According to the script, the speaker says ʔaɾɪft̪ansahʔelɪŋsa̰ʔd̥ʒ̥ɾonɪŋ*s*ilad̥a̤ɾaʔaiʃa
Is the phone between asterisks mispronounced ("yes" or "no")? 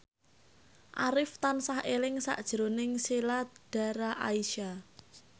no